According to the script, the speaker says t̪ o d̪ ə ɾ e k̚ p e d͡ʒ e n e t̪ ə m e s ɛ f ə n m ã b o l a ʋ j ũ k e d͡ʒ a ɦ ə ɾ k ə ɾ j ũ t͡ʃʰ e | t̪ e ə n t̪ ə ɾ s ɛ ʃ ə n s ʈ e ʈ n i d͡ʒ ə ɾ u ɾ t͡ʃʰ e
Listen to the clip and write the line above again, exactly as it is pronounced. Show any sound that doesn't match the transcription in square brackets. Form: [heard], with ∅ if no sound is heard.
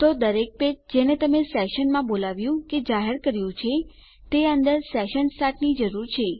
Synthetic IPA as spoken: t̪ o d̪ ə ɾ e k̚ p e d͡ʒ e n e t̪ ə m e s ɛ [ʃ] ə n m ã b o l a ʋ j ũ k e d͡ʒ a ɦ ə ɾ k ə ɾ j ũ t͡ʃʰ e | t̪ e ə n [d̪] ə ɾ s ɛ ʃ ə n s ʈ [a] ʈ n i d͡ʒ ə ɾ u ɾ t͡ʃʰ e